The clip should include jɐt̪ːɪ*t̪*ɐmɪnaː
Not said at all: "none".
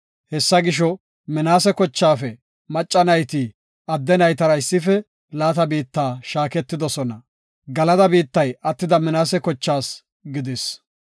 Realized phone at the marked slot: d̪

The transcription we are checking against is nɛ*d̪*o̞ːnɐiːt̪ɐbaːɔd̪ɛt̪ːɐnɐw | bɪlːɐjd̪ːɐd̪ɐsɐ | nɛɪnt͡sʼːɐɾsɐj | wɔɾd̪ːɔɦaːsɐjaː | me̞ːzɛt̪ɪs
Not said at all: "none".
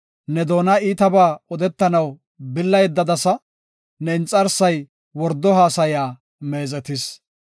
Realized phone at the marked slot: d̪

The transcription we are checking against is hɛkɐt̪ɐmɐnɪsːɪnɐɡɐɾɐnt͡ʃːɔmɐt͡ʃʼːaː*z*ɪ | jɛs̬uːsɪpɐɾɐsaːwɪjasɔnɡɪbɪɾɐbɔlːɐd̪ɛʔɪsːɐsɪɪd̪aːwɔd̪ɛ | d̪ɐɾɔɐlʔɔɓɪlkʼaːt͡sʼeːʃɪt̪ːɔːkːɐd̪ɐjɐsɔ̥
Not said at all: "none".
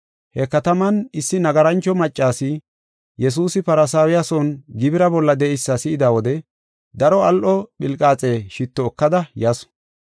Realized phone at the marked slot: s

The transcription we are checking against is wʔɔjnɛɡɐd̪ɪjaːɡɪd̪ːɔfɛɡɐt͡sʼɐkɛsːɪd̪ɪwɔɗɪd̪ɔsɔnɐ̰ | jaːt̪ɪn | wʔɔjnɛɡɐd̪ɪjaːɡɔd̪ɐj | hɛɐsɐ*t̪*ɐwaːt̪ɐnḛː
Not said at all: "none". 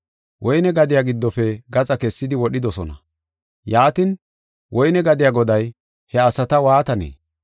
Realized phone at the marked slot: t̪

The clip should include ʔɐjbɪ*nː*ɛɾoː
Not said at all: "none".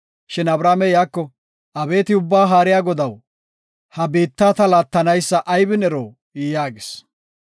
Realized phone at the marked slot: n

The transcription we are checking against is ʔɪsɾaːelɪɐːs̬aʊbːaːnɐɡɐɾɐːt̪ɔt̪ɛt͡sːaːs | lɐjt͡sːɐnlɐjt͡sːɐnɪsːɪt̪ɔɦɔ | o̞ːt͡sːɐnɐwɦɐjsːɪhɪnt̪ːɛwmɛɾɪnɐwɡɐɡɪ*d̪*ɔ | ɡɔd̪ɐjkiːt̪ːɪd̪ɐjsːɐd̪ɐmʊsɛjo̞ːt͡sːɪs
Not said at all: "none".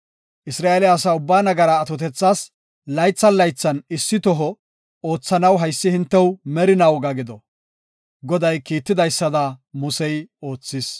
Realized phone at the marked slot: d̪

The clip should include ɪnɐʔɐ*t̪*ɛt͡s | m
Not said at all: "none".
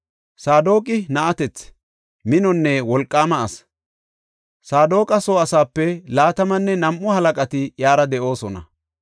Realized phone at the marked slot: t̪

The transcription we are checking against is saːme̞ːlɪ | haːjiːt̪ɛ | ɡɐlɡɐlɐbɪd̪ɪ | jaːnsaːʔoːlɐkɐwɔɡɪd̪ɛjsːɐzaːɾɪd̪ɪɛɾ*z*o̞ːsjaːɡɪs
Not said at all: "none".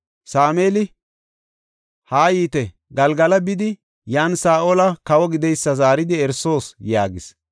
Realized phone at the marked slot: s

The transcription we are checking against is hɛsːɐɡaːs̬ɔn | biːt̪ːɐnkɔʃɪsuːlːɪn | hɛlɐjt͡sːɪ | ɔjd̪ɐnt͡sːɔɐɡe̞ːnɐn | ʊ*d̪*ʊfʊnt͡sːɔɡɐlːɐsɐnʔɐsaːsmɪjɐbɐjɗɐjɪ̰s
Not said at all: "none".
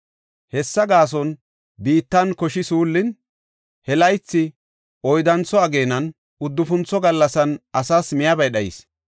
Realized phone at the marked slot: d̪ː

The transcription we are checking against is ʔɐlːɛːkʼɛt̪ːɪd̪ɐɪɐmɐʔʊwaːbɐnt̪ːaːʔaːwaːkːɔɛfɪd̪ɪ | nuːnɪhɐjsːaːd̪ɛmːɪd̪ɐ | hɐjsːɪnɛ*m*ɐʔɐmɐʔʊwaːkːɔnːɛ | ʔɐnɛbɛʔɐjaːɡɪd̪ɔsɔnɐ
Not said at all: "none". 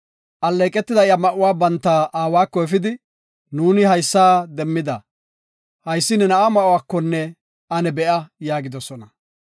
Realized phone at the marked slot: n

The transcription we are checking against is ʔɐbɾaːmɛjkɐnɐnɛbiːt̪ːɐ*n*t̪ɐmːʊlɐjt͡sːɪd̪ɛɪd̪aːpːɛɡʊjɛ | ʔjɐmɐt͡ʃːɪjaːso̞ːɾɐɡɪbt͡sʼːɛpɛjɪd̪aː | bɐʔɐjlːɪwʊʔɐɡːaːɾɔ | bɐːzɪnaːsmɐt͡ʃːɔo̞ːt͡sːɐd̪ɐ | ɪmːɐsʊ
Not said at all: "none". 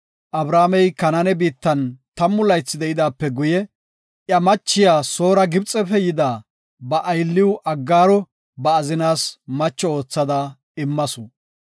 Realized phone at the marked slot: n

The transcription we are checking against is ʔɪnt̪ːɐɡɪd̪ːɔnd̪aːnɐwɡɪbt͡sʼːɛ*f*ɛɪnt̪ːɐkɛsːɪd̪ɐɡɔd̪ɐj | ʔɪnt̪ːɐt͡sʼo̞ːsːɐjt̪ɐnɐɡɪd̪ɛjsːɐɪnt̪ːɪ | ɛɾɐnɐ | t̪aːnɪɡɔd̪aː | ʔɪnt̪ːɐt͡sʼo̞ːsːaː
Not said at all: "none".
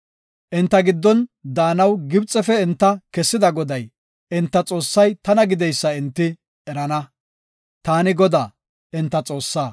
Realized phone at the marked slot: f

